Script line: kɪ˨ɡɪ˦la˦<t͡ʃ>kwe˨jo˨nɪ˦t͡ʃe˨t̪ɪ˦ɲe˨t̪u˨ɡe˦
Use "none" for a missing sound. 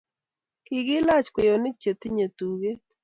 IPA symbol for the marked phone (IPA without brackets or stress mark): t͡ʃ